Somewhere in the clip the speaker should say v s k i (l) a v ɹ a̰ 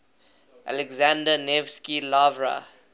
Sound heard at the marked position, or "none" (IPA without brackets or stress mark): l